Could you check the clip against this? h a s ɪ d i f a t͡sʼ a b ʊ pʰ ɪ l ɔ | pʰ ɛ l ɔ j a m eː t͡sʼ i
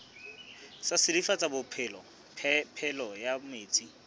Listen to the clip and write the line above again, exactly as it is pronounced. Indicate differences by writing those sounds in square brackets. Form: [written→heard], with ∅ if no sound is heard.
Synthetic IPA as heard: [h→s] a s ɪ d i f a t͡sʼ a b ʊ pʰ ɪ l ɔ | pʰ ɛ l ɔ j a m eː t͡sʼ i